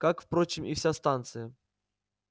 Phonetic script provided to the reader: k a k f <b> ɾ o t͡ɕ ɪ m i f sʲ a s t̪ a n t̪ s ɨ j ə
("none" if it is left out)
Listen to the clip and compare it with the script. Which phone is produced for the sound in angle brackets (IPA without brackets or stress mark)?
p